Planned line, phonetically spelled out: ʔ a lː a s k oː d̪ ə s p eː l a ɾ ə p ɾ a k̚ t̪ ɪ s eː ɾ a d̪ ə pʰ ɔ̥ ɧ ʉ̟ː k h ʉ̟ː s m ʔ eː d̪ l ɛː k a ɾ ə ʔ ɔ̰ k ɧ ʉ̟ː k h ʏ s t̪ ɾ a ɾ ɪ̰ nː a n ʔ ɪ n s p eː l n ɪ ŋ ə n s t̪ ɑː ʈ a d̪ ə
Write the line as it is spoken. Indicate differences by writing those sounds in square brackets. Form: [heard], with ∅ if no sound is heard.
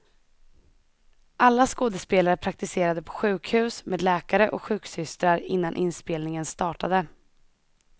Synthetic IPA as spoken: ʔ a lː a s k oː d̪ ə s p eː l a ɾ ə [pʰ] ɾ a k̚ t̪ ɪ s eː ɾ a d̪ ə pʰ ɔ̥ ɧ ʉ̟ː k h ʉ̟ː s m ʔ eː d̪ l ɛː k a ɾ ə ʔ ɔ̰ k ɧ ʉ̟ː k [s] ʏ s t̪ ɾ a ɾ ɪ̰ nː a n ʔ ɪ n s p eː l n ɪ ŋ ə n s t̪ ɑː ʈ a d̪ ə